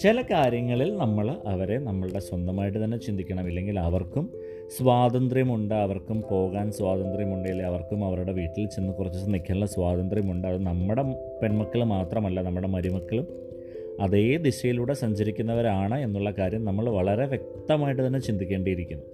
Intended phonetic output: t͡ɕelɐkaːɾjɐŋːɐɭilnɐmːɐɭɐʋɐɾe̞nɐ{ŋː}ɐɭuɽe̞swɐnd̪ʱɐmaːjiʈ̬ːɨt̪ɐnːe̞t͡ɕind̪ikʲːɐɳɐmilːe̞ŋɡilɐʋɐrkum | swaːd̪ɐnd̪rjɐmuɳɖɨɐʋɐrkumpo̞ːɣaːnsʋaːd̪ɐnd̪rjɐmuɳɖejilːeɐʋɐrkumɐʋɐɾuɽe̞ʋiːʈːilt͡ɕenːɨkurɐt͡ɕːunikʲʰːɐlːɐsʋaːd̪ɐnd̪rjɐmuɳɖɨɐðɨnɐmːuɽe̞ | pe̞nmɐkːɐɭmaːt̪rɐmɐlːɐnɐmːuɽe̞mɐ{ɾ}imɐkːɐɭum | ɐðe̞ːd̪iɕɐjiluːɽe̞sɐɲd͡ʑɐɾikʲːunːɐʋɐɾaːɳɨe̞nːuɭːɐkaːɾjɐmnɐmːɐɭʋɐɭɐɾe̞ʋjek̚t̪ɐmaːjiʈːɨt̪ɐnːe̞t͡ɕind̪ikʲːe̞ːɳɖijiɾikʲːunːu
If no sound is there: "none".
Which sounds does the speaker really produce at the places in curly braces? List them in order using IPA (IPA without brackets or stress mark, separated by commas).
mː, ɾ